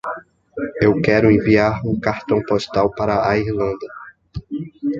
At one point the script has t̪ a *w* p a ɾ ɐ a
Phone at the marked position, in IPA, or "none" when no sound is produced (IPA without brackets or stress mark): w